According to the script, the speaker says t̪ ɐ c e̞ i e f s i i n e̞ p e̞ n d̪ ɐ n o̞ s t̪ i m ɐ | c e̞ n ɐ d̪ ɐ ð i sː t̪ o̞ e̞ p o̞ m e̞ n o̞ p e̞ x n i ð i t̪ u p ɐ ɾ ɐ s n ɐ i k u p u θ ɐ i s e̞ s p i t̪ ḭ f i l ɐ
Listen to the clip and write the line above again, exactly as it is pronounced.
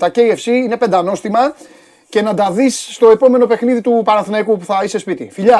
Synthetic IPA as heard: t̪ ɐ c e̞ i e f s i i n e̞ p e̞ n d̪ ɐ n o̞ s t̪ i m ɐ | c e̞ n ɐ d̪ ɐ ð i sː t̪ o̞ e̞ p o̞ m e̞ n o̞ p e̞ x n i ð i t̪ u p ɐ ɾ ɐ θ n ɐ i k u p u θ ɐ i s e̞ s p i t̪ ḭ f i ʎ ɐ